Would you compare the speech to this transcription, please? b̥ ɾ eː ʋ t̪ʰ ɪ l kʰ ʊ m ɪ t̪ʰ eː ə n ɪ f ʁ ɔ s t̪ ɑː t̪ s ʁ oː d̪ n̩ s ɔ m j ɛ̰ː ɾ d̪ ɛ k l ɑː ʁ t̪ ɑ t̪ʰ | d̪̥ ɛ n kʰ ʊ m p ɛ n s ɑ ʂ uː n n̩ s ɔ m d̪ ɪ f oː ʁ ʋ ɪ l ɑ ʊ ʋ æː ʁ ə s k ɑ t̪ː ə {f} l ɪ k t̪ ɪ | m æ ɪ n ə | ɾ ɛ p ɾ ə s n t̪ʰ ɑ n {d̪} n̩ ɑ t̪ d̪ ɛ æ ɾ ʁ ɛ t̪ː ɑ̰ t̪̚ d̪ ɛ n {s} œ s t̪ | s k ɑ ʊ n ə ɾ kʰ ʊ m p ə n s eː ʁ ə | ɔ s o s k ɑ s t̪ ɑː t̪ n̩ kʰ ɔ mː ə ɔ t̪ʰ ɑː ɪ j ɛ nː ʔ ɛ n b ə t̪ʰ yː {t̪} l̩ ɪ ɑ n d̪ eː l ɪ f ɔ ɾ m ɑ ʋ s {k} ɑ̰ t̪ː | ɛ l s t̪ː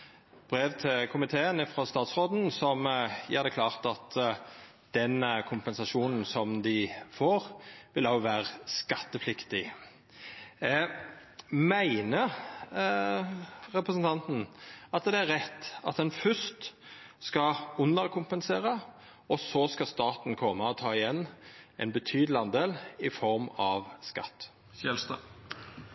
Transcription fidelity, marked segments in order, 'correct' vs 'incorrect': correct, incorrect: t̪, incorrect: f, incorrect: d̪, correct

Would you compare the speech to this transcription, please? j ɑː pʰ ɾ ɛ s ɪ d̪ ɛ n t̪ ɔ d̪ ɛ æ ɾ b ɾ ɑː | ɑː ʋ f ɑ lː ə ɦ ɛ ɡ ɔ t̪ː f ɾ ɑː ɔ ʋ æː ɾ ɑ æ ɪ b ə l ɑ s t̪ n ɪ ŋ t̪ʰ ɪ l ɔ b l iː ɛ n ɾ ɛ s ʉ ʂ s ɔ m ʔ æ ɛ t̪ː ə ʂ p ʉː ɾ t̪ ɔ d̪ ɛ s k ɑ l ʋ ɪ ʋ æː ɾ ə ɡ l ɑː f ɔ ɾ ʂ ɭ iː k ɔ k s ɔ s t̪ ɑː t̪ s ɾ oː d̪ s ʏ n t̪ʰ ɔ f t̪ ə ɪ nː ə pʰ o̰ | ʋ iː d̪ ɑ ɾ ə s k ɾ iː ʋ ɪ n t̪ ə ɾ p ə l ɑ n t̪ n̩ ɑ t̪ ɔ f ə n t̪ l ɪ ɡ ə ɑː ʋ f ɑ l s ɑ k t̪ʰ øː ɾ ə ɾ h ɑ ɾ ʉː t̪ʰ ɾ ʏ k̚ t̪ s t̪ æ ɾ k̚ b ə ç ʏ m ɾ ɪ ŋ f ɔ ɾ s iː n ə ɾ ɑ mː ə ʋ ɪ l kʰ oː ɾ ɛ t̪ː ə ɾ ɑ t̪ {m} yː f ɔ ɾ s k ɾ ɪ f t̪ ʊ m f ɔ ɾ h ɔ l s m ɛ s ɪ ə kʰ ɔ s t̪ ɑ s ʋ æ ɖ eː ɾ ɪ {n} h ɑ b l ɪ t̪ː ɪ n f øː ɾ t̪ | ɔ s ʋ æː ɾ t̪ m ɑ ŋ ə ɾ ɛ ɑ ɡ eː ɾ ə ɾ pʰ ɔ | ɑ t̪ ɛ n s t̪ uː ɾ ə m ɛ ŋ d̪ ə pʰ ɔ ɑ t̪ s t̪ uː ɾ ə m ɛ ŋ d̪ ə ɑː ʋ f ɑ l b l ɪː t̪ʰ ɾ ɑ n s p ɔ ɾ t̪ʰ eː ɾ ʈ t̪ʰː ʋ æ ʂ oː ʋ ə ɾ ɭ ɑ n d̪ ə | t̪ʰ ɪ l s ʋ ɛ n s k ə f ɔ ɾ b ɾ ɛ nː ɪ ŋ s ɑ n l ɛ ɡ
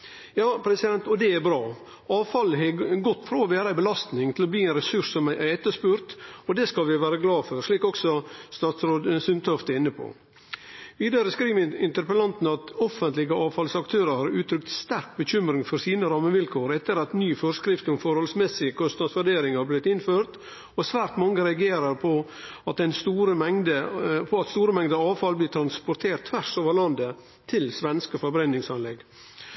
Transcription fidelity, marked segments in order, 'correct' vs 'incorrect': incorrect: n, incorrect: ŋ

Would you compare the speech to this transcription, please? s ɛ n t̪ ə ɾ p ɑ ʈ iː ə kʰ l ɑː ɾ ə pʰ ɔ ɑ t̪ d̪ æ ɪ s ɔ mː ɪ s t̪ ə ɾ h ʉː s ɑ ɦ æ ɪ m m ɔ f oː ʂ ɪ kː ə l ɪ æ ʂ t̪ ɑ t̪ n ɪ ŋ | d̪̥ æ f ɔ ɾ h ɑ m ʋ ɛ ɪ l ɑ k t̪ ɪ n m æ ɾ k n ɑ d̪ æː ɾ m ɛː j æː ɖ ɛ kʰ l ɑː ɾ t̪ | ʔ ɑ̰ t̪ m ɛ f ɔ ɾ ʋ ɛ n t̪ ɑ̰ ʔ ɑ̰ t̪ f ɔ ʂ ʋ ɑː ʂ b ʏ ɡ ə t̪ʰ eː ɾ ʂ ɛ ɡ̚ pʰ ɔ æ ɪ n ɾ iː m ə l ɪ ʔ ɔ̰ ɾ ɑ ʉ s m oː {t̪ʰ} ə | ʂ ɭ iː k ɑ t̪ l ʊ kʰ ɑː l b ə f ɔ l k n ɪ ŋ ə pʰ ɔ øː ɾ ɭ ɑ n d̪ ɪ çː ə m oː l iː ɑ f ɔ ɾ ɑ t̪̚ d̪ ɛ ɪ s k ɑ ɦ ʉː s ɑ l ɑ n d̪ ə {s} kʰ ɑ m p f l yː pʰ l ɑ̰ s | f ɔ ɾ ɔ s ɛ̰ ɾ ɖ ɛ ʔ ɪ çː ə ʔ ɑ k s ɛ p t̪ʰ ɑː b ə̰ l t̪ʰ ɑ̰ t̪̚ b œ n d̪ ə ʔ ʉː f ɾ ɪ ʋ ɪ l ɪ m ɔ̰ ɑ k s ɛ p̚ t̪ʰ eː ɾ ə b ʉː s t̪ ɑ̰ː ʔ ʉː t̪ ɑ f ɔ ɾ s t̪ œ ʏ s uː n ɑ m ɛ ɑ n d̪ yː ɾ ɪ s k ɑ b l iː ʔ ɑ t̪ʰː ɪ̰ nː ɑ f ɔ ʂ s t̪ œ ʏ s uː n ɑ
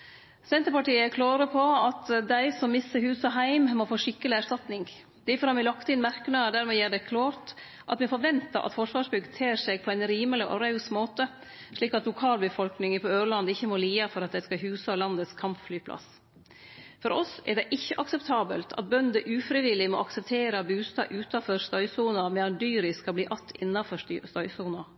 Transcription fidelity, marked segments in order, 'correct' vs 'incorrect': incorrect: t̪, correct

